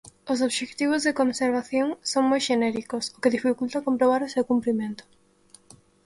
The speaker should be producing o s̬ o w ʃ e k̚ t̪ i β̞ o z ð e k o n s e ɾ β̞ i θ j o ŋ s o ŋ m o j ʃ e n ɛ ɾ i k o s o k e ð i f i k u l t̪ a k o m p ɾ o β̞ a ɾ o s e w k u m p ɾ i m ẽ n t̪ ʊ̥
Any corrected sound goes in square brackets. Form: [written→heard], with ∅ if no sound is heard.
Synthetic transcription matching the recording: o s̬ o [w→β] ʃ e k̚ t̪ i β̞ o z ð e k o n s e ɾ β̞ [i→a] θ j o ŋ s o ŋ m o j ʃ e n ɛ ɾ i k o s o k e ð i f i k u l t̪ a k o m p ɾ o β̞ a ɾ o s e w k u m p ɾ i m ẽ n t̪ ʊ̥